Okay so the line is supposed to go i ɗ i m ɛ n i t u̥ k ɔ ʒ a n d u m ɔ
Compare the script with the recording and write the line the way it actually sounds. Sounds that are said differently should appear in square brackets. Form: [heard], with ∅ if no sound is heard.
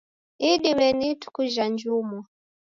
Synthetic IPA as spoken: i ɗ i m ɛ n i t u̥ k [u] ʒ a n [d͡ʒ] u m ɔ